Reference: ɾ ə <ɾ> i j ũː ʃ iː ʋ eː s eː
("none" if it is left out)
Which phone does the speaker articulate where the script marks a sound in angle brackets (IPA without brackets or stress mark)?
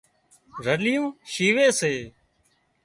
l